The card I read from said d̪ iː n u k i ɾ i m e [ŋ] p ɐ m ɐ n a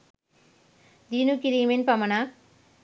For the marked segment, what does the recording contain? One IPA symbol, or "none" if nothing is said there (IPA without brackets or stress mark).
n